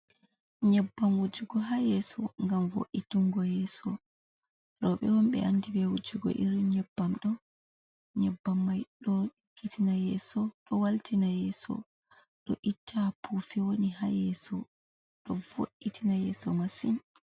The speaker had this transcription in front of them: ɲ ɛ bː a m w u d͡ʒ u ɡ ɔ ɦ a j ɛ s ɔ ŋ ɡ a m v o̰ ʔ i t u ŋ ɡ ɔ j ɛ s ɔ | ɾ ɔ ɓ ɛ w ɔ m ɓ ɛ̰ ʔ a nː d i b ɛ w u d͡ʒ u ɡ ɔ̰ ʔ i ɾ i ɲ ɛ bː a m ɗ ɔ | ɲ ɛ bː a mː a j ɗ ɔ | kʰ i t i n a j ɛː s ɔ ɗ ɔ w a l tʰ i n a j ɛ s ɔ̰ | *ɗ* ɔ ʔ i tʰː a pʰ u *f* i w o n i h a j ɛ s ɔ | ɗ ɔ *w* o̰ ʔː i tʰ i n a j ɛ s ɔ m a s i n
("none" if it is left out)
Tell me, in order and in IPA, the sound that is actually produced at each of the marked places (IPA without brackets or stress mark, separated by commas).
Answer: ɗ, f, v